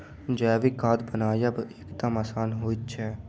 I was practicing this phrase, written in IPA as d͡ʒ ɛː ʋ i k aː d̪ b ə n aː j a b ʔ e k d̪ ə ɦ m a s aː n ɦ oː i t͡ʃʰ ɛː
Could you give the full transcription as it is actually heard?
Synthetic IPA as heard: d͡ʒ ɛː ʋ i k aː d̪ b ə n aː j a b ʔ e k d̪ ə m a s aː n ɦ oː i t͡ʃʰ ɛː

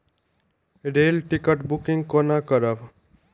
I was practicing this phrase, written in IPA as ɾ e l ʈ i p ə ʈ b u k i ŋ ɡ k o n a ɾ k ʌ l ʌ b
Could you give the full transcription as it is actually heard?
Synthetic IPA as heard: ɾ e l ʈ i k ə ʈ b u k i ŋ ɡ k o n a k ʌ ɾ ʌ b

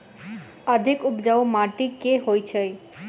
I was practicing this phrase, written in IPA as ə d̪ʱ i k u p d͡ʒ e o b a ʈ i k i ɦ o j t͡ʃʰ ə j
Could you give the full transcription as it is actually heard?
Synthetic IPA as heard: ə d̪ʱ i k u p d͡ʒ a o m a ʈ i k e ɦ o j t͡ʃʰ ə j

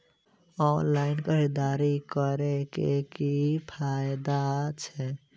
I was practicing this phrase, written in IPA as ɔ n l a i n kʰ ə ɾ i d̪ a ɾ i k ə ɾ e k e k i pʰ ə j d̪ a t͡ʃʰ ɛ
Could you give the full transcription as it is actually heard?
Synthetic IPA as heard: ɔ n l a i n k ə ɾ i d̪ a ɾ i k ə ɾ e k e k i pʰ a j d̪ a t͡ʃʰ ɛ

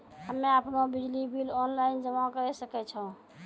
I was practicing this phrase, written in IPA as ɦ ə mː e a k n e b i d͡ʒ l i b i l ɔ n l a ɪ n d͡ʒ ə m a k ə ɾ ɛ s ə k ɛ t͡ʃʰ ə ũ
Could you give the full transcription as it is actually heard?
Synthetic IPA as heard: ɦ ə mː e a p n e b i d͡ʒ l i b i l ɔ n l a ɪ n d͡ʒ ə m a k ə ɾ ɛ s ə k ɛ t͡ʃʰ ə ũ

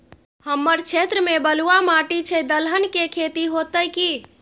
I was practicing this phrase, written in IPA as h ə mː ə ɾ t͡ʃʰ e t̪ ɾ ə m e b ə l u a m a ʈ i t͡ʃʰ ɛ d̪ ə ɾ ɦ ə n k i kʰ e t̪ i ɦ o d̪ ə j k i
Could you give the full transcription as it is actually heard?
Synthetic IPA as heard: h ə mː ə ɾ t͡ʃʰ e t̪ ɾ ə m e b ə l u a m a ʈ i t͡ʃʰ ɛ d̪ ə l ɦ ə n k e kʰ e t̪ i ɦ o t̪ ə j k i

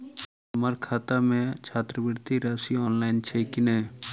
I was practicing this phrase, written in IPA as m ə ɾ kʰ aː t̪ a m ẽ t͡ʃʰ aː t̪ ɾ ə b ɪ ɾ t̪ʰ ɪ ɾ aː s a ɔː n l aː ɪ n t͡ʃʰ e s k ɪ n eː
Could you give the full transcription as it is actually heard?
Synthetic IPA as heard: m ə ɾ kʰ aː t̪ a m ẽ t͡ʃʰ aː t̪ ɾ ə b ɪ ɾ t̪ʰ i ɾ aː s i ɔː n l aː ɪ n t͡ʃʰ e k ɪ n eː

